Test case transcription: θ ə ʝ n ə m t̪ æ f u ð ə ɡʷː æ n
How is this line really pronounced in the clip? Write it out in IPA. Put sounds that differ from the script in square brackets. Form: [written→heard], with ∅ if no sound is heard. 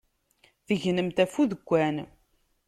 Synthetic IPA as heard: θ ə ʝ n ə m t̪ æ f u ð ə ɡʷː æ n

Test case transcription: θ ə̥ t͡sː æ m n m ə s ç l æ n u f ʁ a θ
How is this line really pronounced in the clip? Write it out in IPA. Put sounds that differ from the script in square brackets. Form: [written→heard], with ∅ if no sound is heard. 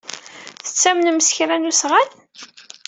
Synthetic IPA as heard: θ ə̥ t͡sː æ m n m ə s ç [l→ɾ] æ n u [f→s] ʁ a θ

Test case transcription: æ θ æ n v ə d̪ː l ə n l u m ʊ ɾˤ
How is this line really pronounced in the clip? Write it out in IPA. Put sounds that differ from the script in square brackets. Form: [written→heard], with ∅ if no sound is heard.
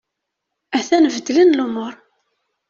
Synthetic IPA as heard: æ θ æ n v ə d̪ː l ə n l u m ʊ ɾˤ

